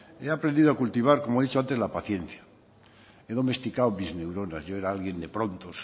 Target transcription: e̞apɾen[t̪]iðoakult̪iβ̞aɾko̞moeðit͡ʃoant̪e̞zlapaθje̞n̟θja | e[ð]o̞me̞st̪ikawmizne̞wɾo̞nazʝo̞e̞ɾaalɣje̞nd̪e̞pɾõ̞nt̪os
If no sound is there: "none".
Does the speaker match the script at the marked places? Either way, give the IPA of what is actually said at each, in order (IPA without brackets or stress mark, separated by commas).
d̪, ð